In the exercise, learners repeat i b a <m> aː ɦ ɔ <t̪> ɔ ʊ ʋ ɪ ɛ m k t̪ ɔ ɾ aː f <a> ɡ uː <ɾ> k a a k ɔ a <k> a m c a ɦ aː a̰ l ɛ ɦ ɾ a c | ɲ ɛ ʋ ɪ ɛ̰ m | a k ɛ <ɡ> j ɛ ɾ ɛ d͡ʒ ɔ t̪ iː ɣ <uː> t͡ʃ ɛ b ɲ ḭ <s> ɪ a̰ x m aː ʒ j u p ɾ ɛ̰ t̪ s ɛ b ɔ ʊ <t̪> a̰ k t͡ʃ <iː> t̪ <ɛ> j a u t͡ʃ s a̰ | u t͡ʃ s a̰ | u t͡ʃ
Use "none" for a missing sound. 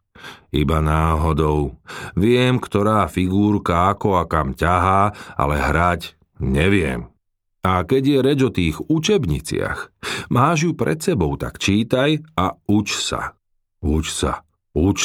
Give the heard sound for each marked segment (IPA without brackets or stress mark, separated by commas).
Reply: n, d̪, i, ɾ, k, ɟ, u, t͡s, t̪, iː, a